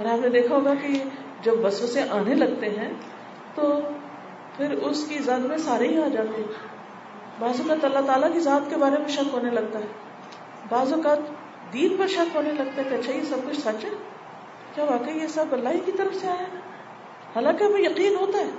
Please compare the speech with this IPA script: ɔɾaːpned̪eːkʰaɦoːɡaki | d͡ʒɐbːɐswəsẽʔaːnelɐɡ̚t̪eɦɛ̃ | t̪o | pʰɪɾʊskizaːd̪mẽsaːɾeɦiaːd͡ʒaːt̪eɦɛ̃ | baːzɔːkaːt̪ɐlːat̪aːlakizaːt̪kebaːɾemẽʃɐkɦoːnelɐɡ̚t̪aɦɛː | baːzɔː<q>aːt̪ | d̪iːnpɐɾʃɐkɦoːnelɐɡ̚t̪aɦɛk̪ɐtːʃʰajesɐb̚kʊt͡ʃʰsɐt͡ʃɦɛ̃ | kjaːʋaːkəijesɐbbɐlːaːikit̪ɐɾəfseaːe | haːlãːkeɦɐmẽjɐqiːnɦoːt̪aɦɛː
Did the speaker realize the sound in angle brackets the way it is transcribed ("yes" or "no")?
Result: no